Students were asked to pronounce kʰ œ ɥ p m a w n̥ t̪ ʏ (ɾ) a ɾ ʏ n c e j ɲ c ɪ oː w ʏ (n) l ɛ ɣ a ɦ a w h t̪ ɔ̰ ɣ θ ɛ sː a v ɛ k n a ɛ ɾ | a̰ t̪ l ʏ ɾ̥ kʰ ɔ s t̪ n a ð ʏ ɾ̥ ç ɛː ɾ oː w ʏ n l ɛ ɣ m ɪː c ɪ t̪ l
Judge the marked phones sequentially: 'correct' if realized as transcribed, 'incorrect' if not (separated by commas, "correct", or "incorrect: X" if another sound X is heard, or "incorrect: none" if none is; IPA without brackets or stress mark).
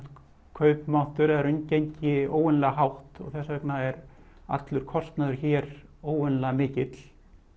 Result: correct, correct